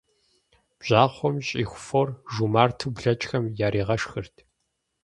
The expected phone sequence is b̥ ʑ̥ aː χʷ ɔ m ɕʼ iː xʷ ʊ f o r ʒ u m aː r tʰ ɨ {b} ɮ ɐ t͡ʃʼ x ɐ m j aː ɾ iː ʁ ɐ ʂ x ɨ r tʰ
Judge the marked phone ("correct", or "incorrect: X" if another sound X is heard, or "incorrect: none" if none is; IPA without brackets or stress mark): correct